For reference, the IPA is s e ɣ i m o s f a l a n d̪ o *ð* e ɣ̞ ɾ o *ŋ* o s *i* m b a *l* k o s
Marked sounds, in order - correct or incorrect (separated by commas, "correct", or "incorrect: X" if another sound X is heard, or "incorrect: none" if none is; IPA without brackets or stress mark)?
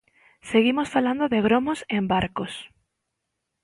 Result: correct, incorrect: m, incorrect: e, incorrect: ɾ